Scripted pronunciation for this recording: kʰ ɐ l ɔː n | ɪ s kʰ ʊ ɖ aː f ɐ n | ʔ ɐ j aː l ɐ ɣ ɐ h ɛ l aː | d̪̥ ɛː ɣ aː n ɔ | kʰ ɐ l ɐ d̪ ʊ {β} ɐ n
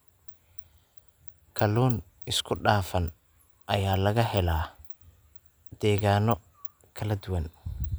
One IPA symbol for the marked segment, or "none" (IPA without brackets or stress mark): w